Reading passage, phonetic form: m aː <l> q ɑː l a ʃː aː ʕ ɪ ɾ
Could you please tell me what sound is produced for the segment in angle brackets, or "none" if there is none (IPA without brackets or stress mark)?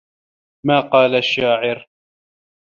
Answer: none